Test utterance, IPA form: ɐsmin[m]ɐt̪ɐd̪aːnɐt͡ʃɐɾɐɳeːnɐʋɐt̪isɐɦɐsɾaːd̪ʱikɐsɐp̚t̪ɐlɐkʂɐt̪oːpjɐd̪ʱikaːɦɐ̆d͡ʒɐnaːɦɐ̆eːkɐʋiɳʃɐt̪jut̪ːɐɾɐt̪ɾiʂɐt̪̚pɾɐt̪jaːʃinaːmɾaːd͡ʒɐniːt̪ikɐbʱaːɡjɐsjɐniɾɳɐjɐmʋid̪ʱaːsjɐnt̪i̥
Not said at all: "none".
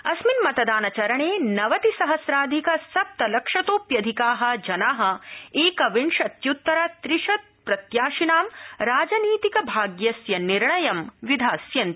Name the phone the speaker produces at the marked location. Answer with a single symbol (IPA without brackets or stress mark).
m